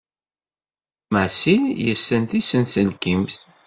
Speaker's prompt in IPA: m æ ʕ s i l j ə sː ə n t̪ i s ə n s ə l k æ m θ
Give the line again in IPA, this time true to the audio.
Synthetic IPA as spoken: m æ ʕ s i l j ə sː ə n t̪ i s ə n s ə l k i m θ